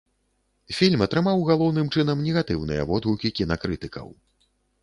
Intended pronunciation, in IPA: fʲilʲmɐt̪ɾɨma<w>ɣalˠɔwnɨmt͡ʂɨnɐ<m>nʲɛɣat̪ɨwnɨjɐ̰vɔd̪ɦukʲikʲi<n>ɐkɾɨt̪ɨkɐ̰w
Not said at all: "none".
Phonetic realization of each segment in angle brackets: w, m, n

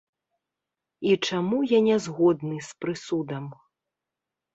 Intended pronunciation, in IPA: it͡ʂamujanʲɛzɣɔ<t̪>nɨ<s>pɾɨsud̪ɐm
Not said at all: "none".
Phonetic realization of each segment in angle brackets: d̪, s

